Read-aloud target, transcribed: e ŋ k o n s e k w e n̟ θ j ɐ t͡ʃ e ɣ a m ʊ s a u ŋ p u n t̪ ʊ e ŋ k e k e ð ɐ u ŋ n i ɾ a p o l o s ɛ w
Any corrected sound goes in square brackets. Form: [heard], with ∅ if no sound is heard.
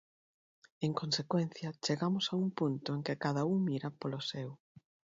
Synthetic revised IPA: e ŋ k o n s e k w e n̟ θ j ɐ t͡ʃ e ɣ a m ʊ s a u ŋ p u n t̪ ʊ e ŋ k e k [a] ð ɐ u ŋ [m] i ɾ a p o l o s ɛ w